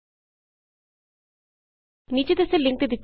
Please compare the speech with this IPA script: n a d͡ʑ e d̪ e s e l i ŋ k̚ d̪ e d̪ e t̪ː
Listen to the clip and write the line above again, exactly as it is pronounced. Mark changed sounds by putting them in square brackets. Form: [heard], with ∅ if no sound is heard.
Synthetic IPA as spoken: n [i] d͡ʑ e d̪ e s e l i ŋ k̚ [t̪] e d̪ [i] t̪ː

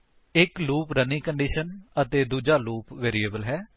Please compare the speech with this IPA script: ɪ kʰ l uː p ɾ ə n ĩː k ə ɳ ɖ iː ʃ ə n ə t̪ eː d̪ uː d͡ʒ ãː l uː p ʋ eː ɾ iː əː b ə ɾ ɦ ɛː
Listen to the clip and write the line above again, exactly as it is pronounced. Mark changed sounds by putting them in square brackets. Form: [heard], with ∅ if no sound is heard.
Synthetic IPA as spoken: ɪ [k] l uː p ɾ ə n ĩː k ə ɳ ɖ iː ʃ ə n ə t̪ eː d̪ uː d͡ʒ [aː] l uː p ʋ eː ɾ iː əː b ə [l] ɦ ɛː

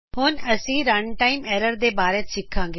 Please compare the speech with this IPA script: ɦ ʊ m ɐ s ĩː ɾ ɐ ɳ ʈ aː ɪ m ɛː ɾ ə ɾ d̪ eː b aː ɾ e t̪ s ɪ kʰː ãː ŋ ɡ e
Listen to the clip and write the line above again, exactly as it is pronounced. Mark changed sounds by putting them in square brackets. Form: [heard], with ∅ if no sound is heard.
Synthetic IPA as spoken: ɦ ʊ [n] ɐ s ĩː ɾ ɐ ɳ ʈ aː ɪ m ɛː ɾ ə ɾ d̪ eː b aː ɾ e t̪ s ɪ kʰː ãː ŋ ɡ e

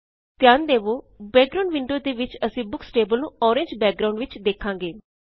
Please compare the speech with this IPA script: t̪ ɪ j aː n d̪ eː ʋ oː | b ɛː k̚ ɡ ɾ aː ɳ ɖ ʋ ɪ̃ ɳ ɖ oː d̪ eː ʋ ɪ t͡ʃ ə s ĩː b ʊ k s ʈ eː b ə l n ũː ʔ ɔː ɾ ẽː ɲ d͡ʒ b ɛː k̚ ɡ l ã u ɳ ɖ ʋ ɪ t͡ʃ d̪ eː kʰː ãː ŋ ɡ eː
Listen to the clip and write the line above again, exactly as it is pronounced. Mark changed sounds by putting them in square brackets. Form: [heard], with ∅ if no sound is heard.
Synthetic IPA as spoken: t̪ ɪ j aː n d̪ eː ʋ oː | b ɛː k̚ ɡ ɾ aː ɳ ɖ ʋ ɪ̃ ɳ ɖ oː d̪ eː ʋ ɪ t͡ʃ ə s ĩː b ʊ k s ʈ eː b ə l n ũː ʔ ɔː ɾ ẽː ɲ d͡ʒ b ɛː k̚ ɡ [ɾ] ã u ɳ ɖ ʋ ɪ t͡ʃ d̪ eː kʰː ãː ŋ ɡ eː

